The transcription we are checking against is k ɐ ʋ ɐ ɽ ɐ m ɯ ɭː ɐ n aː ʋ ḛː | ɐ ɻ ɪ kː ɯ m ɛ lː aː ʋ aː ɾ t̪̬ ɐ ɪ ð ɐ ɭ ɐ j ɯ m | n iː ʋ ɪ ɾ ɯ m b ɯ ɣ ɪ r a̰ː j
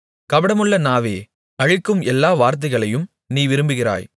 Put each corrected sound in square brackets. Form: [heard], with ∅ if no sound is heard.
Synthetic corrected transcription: k ɐ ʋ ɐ ɽ ɐ m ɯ ɭː ɐ n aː ʋ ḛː | ɐ ɻ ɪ kː ɯ m ɛ lː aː ʋ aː ɾ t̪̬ ɐ ɪ [ɣ] ɐ ɭ ɐ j ɯ m | n iː ʋ ɪ ɾ ɯ m b ɯ ɣ ɪ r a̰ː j

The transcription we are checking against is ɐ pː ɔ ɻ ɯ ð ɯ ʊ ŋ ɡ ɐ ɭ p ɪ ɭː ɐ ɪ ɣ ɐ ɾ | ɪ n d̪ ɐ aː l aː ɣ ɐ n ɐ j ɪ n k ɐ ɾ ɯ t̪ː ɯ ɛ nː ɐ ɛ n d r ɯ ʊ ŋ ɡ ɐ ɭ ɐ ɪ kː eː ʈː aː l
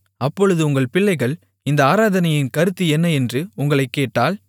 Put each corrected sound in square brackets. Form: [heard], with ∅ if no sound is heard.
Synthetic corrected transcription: ɐ pː ɔ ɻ ɯ ð ɯ ʊ ŋ ɡ ɐ ɭ p ɪ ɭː ɐ ɪ ɣ ɐ [ɭ] | ɪ n d̪ ɐ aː [ɾ] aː [ð] ɐ n ɐ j ɪ n k ɐ ɾ ɯ t̪ː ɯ ɛ nː ɐ ɛ n d r ɯ ʊ ŋ ɡ ɐ ɭ ɐ ɪ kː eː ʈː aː l

